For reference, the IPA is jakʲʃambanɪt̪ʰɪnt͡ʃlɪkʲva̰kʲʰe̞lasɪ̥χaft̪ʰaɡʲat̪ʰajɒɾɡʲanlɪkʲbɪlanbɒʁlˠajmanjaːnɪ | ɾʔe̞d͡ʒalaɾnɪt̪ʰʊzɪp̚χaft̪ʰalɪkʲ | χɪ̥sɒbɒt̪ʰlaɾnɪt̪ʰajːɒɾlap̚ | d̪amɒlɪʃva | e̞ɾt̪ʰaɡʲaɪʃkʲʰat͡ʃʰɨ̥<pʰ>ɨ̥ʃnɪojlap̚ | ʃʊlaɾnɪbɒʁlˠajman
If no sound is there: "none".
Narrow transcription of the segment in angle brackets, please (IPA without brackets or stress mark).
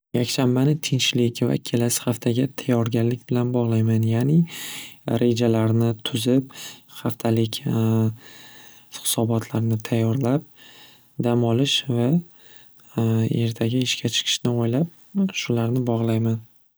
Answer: qʰ